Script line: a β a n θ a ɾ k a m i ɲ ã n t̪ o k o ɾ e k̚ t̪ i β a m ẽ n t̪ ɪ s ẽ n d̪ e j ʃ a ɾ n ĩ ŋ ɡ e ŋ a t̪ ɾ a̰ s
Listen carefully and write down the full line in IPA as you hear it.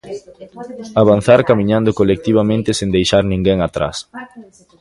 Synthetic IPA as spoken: a β a n θ a ɾ k a m i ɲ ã n d̪ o k o l e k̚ t̪ i β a m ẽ n t̪ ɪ s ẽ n d̪ e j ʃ a ɾ n ĩ ŋ ɡ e ŋ a t̪ ɾ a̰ s

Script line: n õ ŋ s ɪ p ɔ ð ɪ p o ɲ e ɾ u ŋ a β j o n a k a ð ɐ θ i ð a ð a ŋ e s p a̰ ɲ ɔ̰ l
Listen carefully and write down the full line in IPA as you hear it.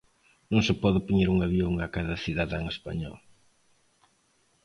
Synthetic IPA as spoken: n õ ŋ s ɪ p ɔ ð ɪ p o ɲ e ɾ u ŋ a β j o ŋ a k a ð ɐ θ i ð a ð a ŋ e s p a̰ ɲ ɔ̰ l

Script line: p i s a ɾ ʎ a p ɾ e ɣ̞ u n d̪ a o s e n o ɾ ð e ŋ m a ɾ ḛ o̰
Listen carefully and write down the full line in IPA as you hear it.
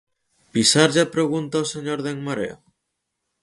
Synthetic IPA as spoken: p i s a ɾ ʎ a p ɾ e ɣ̞ u n t̪ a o s e ɲ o ɾ ð e ŋ m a ɾ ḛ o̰

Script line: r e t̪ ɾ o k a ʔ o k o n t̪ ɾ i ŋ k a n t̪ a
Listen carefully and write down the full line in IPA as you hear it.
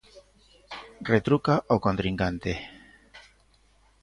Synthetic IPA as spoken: r e t̪ ɾ u k a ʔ o k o n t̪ ɾ i ŋ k a n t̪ e

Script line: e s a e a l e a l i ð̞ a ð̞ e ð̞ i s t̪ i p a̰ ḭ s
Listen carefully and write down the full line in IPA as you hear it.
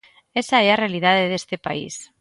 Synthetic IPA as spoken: e s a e a r e a l i ð̞ a ð̞ e ð̞ e s t̪ e p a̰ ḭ s

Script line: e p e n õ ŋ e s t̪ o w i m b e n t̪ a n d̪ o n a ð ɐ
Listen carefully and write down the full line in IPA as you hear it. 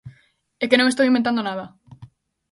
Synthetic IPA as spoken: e k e n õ ŋ e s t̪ o w i m b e n t̪ a n d̪ o n a ð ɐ

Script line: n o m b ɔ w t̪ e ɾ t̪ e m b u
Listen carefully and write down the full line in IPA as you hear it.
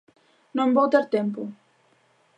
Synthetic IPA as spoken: n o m b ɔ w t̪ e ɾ t̪ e m p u

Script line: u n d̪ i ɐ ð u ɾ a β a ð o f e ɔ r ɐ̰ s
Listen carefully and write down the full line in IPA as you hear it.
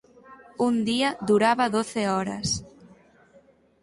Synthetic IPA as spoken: u n d̪ i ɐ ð u ɾ a β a ð o θ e ɔ ɾ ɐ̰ s

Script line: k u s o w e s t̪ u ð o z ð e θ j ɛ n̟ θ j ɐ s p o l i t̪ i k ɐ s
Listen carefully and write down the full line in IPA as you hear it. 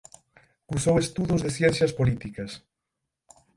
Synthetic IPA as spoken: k u s o w e s t̪ u ð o z ð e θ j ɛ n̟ θ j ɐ s p o l i t̪ i k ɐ s

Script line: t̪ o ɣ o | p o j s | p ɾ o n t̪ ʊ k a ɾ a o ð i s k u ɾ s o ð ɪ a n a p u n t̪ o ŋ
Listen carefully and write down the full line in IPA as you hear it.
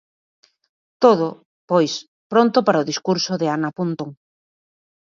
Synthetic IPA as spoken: t̪ o ð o | p o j s | p ɾ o n t̪ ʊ p a ɾ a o ð i s k u ɾ s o ð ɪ a n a p u n t̪ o ŋ

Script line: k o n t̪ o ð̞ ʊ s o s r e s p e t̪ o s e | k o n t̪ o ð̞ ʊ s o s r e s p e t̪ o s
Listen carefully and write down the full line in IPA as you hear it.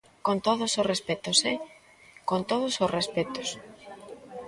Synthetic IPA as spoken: k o n t̪ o ð̞ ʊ s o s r e s p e t̪ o s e | k o n t̪ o ð̞ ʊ s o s r e s p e t̪ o s

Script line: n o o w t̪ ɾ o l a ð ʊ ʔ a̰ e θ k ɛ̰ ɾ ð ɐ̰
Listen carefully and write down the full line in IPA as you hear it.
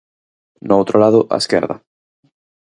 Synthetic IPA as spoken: n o o w t̪ ɾ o l a ð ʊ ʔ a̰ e s k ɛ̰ ɾ ð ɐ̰

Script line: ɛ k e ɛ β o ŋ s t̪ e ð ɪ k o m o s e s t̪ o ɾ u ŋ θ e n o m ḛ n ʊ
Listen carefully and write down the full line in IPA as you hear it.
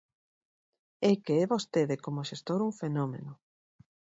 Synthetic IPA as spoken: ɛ k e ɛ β o s t̪ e ð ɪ k o m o ʃ e s t̪ o ɾ u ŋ f e n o m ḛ n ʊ

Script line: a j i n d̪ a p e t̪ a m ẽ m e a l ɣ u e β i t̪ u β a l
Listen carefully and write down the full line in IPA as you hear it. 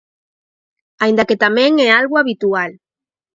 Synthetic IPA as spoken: a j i n d̪ a k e t̪ a m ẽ ŋ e a l ɣ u a β i t̪ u a l

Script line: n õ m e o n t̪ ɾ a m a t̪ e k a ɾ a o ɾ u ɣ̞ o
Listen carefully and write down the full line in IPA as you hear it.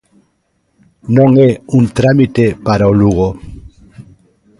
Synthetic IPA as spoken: n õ ŋ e u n t̪ ɾ a m i t̪ e p a ɾ a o l u ɣ̞ o

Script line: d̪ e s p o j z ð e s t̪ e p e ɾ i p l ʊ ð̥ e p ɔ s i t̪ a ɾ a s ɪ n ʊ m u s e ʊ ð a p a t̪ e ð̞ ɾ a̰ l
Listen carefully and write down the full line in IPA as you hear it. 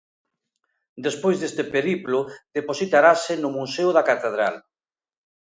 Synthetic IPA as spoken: d̪ e s p o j z ð e s t̪ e p e ɾ i p l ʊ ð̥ e p o s i t̪ a ɾ a s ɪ n ʊ m u s e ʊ ð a k a t̪ e ð̞ ɾ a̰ l

